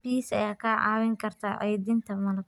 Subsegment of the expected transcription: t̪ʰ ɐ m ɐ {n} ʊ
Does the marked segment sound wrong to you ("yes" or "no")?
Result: no